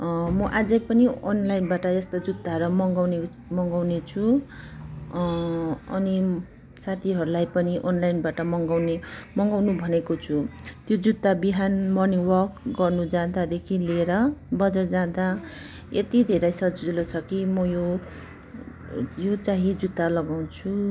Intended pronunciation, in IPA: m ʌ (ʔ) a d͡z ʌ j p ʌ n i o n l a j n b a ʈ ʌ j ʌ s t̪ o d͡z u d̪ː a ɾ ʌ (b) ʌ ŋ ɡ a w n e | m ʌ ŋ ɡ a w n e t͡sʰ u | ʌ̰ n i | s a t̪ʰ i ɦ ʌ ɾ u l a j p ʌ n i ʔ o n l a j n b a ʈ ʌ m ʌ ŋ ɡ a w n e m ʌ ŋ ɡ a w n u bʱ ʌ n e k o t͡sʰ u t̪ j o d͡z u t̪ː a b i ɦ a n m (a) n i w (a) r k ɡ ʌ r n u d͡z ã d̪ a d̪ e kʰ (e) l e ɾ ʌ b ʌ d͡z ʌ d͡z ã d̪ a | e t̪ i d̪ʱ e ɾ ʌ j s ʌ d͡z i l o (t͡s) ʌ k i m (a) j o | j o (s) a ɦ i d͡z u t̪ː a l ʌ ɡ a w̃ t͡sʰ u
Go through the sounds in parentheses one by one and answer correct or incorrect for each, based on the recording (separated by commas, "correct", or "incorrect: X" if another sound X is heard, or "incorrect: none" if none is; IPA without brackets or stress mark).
correct, incorrect: m, incorrect: ʌ, incorrect: ʌ, incorrect: i, incorrect: t͡sʰ, incorrect: ʌ, incorrect: t͡s